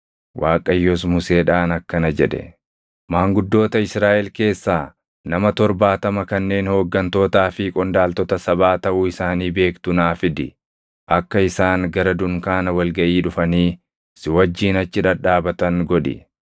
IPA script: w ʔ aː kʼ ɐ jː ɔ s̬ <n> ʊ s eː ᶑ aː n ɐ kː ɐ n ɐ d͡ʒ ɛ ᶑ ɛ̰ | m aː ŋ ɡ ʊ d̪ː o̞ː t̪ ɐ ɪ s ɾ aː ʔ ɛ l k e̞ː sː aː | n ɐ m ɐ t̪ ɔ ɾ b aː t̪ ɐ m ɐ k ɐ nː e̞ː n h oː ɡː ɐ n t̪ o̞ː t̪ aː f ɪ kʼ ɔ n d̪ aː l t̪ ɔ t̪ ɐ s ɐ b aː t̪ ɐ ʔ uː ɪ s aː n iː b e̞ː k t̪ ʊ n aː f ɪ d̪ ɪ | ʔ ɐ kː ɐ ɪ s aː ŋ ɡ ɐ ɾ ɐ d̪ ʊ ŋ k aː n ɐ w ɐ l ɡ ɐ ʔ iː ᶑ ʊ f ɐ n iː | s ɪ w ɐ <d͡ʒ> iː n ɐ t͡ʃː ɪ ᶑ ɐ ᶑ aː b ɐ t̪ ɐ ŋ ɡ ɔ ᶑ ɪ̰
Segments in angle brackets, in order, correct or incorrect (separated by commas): incorrect, incorrect